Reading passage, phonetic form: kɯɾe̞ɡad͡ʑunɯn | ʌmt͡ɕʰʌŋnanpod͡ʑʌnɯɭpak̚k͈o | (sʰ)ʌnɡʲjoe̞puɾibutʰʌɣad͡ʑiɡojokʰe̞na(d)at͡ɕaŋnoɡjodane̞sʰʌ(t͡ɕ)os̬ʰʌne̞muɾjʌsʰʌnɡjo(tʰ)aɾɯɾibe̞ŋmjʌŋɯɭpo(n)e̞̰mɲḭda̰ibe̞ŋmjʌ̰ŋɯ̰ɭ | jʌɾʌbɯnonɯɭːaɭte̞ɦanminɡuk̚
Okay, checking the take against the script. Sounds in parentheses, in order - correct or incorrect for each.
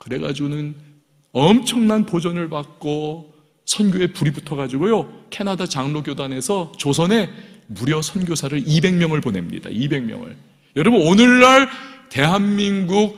correct, correct, correct, incorrect: sʰ, correct

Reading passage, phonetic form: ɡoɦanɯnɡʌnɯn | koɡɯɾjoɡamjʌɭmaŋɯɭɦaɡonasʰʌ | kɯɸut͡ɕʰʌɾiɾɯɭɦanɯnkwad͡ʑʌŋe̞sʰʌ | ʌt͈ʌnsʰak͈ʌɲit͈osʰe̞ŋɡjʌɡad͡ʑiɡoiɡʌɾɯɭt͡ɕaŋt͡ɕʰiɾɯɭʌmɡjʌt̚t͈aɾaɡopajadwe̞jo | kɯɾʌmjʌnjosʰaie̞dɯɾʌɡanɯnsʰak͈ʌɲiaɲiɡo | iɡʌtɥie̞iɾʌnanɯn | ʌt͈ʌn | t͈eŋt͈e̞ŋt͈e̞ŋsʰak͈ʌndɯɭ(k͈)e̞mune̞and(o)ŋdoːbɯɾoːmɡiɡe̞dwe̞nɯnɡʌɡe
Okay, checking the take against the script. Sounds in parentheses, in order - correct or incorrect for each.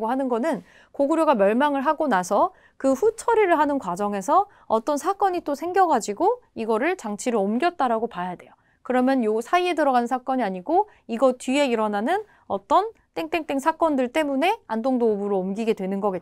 incorrect: t͈, correct

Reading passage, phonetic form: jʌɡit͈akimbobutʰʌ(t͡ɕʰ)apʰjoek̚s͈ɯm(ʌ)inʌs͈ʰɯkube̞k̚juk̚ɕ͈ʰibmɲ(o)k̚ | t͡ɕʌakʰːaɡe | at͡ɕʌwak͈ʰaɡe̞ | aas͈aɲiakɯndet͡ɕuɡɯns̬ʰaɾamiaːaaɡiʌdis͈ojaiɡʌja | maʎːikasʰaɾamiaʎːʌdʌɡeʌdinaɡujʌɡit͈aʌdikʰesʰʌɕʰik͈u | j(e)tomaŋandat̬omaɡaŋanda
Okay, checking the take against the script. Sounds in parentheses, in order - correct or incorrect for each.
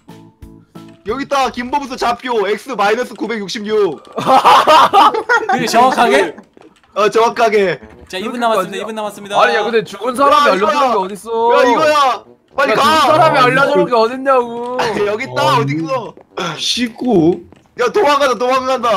incorrect: t͡ɕ, incorrect: a, incorrect: u, incorrect: a

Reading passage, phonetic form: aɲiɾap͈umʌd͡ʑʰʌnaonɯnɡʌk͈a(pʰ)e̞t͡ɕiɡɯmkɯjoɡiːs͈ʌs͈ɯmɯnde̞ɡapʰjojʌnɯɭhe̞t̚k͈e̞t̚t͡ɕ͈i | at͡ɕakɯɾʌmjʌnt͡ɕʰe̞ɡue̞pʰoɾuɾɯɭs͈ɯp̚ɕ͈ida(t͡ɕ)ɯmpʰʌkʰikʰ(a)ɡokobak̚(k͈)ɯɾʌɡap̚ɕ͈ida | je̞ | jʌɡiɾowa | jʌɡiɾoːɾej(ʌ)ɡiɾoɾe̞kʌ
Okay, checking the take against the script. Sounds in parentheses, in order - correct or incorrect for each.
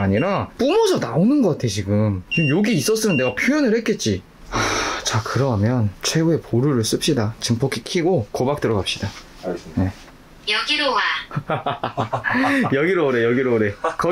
incorrect: tʰ, correct, incorrect: i, incorrect: t͈, correct

